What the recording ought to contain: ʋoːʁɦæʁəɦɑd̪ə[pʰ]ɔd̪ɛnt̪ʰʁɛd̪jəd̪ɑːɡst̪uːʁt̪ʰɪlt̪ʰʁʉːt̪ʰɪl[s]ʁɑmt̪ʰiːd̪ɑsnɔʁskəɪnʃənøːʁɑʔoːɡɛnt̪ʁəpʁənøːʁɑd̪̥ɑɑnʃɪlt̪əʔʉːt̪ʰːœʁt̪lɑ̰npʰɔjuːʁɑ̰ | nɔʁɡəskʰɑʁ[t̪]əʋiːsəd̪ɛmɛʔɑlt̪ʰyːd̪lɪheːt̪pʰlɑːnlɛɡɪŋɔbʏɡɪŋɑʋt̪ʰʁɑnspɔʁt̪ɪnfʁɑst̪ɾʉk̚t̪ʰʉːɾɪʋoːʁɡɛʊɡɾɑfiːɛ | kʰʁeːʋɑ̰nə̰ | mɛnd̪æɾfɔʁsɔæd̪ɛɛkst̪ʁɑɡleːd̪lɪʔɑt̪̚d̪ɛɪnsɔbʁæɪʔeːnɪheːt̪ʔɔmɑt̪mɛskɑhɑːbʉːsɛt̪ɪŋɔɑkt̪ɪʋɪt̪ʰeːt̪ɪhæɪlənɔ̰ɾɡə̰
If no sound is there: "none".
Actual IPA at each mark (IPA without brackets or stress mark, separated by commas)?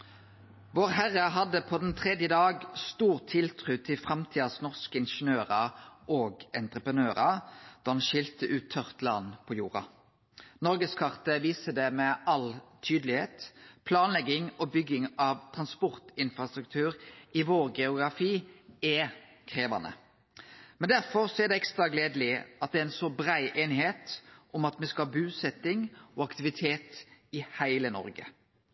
pʰ, f, t̪